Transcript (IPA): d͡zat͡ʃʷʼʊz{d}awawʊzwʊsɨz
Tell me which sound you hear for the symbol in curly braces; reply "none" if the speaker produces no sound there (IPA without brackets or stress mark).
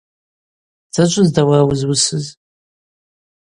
d